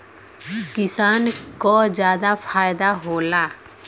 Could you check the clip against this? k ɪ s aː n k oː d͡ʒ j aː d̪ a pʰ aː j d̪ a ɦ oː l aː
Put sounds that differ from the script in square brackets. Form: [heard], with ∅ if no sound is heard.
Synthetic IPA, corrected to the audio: k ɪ s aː n k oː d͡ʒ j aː d̪ a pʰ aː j d̪ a ɦ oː l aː